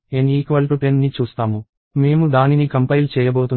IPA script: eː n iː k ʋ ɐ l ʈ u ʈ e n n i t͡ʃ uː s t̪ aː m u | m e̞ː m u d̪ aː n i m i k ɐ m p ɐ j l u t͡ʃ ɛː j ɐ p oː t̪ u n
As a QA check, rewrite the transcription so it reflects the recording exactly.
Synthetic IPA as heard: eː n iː k ʋ ɐ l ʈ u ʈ e n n i t͡ʃ uː s t̪ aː m u | m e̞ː m u d̪ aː n i n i k ɐ m p ɐ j l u t͡ʃ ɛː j ɐ b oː t̪ u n